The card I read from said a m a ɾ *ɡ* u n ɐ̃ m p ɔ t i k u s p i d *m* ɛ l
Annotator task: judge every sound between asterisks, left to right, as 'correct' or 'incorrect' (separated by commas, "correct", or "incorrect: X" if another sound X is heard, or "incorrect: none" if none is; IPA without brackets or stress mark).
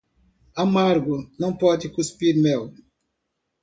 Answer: correct, correct